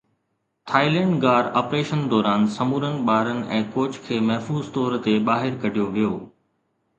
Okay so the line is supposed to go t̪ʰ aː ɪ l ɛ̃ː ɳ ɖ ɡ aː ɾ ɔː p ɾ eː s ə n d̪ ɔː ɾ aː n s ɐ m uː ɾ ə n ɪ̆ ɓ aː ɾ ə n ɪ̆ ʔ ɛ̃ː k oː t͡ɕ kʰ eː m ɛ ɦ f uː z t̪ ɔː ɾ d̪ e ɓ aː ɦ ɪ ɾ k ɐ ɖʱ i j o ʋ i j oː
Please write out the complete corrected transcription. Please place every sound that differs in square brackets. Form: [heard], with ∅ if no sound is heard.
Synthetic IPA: t̪ʰ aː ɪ l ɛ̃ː ɳ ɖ ɡ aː ɾ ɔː p ɾ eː [ʃ] ə n d̪ ɔː ɾ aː n s ɐ m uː ɾ ə n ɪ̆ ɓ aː ɾ ə n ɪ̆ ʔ ɛ̃ː k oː t͡ɕ kʰ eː m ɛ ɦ f uː z t̪ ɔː ɾ [t̪] e ɓ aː ɦ ɪ ɾ k ɐ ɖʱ i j o ʋ i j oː

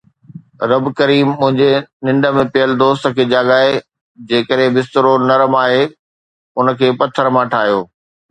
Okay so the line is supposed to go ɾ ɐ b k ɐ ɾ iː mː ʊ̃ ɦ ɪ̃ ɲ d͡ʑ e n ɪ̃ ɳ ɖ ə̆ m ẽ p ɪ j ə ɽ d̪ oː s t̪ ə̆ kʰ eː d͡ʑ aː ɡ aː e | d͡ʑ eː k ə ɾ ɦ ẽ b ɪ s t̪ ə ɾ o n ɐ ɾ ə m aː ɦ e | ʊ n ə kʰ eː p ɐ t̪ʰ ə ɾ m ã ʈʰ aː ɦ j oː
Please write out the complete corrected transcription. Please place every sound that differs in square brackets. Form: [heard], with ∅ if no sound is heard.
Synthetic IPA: ɾ ɐ b k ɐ ɾ iː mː ʊ̃ ɦ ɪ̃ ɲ d͡ʑ e n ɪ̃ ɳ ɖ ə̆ m ẽ p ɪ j ə [l] d̪ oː s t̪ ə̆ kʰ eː d͡ʑ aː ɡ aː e | d͡ʑ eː k ə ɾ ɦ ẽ b ɪ s t̪ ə ɾ o n ɐ ɾ ə m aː ɦ e | ʊ n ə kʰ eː p ɐ t̪ʰ ə ɾ m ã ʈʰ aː ɦ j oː

